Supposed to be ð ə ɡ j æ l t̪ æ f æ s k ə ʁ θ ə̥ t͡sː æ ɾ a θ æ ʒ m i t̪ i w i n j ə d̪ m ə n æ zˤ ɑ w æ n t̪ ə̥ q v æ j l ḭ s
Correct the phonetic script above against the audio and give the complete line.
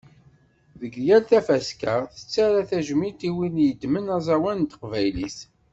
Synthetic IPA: ð ə ɡ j æ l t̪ æ f æ s k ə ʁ θ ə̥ t͡sː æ ɾ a θ æ ʒ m i t̪ i w i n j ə d̪ m ə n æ zˤ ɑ w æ n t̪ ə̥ q v æ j l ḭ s